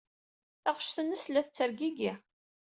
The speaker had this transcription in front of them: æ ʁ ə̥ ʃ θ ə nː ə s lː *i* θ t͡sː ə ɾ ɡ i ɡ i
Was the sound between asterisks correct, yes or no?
no